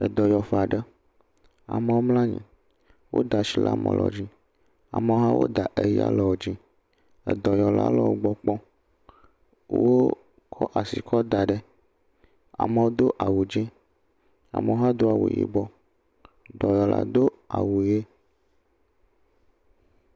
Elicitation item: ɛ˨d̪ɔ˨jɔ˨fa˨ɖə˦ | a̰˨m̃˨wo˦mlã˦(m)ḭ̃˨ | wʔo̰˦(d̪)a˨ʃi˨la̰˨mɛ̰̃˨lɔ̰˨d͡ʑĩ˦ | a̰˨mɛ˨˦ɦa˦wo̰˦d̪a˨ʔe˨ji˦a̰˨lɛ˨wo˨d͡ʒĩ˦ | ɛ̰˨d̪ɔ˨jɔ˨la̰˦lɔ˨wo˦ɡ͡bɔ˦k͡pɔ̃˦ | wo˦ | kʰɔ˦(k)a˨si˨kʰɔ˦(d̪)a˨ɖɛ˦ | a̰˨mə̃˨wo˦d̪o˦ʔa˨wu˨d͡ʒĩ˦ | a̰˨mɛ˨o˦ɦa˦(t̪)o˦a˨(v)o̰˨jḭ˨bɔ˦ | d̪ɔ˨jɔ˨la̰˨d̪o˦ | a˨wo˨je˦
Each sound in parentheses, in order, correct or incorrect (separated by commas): incorrect, correct, incorrect, correct, incorrect, incorrect